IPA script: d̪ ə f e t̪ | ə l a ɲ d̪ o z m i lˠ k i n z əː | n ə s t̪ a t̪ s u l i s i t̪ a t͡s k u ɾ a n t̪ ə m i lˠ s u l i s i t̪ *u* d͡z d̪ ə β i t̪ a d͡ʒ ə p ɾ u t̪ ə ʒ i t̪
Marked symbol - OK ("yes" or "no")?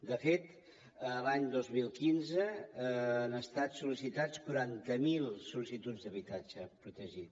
yes